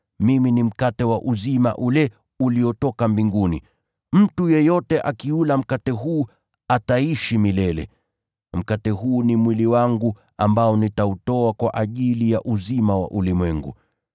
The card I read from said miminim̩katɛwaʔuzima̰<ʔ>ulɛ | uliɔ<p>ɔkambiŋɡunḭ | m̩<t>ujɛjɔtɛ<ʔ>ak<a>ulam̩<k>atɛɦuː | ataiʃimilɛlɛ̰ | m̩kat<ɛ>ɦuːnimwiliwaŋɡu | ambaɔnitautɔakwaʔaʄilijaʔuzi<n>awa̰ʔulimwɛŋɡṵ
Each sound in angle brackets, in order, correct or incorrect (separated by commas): correct, incorrect, correct, correct, incorrect, correct, correct, incorrect